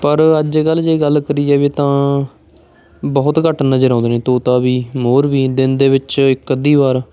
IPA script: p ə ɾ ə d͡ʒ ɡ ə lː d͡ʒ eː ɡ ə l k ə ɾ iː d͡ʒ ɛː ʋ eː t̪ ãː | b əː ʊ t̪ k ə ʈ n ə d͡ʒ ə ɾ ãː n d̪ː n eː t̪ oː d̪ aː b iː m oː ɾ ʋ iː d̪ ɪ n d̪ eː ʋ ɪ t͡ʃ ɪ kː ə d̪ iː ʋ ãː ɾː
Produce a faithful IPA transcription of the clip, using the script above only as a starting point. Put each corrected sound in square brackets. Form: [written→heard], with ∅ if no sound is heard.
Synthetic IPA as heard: p ə ɾ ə d͡ʒ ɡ ə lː d͡ʒ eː ɡ ə l k ə ɾ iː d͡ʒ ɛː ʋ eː t̪ ãː | b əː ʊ t̪ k ə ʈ n ə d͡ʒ ə ɾ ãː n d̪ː n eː t̪ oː [d̪→t̪] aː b iː m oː ɾ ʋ iː d̪ ɪ n d̪ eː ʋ ɪ t͡ʃ ɪ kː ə d̪ iː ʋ [ãː→aː] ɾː